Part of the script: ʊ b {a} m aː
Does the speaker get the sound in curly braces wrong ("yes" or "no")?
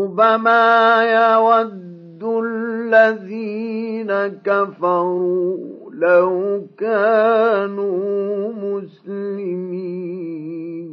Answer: no